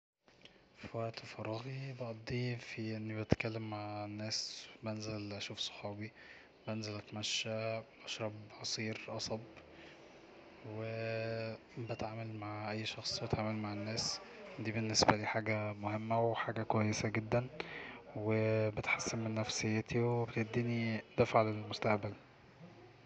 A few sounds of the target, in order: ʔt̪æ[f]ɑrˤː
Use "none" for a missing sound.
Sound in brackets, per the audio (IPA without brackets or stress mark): f